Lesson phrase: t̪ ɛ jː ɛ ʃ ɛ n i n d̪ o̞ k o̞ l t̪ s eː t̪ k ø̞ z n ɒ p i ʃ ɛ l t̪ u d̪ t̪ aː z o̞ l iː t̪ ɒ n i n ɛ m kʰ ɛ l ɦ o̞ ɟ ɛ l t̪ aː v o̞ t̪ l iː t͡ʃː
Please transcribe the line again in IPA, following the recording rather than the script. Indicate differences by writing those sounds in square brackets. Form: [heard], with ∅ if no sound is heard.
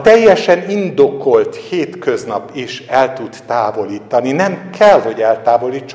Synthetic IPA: t̪ ɛ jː ɛ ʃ ɛ n i n d̪ o̞ k o̞ l t̪ [h] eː t̪ k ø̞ z n ɒ p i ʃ ɛ l t̪ u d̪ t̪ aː [v] o̞ l iː t̪ ɒ n i n ɛ m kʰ ɛ l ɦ o̞ ɟ ɛ l t̪ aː v o̞ [∅] l iː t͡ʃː